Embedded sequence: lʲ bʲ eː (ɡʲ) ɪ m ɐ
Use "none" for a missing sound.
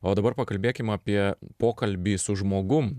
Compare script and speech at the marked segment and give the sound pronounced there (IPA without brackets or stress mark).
kʲ